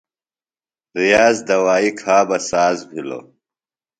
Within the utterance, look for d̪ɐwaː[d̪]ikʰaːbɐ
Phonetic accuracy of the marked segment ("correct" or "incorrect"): incorrect